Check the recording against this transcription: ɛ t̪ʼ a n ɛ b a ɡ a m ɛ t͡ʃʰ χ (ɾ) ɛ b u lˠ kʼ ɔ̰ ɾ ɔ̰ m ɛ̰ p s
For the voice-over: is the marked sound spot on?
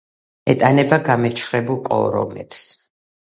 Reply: yes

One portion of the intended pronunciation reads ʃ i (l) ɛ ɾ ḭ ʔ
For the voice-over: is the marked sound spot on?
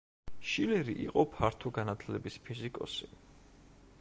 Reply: yes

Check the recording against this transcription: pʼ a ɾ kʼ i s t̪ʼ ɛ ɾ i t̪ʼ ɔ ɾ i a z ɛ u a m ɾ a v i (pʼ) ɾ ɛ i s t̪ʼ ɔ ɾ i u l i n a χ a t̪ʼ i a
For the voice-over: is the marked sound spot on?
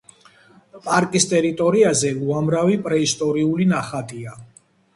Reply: yes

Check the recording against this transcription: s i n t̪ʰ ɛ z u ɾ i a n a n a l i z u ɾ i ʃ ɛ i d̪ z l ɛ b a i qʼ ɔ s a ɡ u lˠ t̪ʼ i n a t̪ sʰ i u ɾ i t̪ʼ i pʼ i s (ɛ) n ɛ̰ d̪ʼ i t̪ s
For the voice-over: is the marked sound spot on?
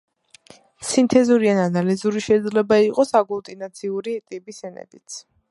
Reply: yes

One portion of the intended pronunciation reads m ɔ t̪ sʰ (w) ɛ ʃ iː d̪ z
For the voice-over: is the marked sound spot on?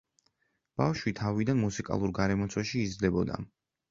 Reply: yes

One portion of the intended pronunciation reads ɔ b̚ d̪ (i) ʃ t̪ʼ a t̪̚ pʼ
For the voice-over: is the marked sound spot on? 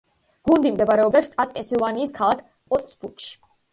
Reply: no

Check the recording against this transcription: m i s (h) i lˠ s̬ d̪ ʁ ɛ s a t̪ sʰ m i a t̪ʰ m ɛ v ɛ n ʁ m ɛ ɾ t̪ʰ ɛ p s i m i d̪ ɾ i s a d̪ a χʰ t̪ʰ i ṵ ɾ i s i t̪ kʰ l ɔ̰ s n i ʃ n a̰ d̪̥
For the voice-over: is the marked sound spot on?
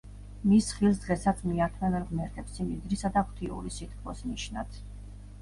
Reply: no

